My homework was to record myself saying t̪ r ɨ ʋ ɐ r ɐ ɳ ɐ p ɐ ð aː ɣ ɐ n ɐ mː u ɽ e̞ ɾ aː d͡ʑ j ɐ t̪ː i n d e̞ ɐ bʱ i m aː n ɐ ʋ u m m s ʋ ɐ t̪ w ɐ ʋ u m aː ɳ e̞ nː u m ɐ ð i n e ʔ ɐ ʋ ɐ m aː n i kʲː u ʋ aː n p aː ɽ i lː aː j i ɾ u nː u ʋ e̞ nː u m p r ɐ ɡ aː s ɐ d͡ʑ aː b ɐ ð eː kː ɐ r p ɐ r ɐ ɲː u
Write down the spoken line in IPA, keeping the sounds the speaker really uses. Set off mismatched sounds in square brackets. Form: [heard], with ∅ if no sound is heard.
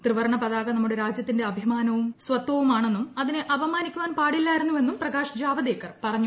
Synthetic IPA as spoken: t̪ r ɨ ʋ ɐ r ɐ ɳ ɐ p ɐ ð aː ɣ ɐ n ɐ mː u ɽ e̞ ɾ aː d͡ʑ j ɐ t̪ː i n d e̞ ɐ bʱ i m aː n ɐ ʋ u m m s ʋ ɐ t̪ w ɐ ʋ u m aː ɳ e̞ nː u m ɐ ð i n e ʔ ɐ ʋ ɐ m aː n i kʲː u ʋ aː n p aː ɽ i lː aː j i ɾ u nː u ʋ e̞ nː u m p r ɐ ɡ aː [ʂ] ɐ d͡ʑ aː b ɐ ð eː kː ɐ r p ɐ r ɐ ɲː u